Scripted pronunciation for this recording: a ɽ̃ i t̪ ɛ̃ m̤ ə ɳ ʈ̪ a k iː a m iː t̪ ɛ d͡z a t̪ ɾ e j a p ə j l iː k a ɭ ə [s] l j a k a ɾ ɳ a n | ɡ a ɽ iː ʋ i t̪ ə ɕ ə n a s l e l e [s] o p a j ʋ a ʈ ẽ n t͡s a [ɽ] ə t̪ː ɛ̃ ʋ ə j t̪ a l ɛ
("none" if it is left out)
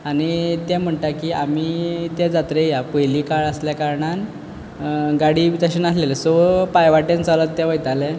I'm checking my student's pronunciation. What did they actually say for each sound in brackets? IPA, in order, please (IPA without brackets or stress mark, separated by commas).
s, s, l